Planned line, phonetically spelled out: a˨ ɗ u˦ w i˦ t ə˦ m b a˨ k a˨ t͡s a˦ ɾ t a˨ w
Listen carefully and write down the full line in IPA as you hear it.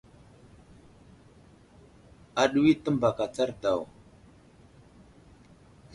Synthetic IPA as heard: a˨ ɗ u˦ w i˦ t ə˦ m b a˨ k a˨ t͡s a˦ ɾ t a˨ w